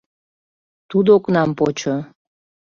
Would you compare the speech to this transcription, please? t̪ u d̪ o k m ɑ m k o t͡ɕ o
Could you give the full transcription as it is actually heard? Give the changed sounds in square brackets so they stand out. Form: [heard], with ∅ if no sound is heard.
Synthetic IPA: t̪ u d̪ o k [n] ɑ m [p] o t͡ɕ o